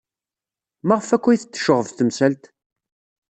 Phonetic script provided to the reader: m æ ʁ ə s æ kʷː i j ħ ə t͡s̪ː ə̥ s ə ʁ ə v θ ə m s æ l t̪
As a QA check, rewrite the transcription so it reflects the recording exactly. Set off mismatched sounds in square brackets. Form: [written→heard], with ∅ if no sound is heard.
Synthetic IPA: m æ ʁ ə [s→f] æ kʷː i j [ħ→θ] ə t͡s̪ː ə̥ [s→ʃ] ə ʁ ə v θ ə m s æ l t̪